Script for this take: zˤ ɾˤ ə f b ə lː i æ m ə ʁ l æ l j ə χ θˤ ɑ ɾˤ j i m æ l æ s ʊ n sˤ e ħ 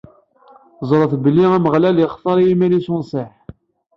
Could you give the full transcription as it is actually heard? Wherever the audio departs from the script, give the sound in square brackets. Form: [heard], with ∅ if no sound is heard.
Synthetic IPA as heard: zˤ ɾˤ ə [θ] b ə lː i æ m ə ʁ l æ l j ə χ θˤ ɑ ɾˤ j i m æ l [i] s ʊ n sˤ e ħ